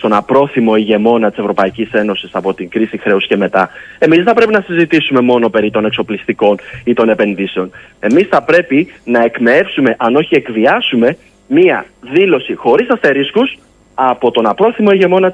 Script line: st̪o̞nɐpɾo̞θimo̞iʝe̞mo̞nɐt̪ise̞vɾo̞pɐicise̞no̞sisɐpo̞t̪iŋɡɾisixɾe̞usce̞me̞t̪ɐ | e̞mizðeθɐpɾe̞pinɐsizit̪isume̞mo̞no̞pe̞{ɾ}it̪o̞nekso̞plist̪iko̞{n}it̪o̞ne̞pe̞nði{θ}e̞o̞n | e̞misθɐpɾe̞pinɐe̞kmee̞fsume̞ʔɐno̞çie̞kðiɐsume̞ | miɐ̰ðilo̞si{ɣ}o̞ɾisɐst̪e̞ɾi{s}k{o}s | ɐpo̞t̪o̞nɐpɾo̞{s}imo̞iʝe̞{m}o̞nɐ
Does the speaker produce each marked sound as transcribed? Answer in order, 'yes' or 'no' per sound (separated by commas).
yes, yes, no, no, yes, no, no, yes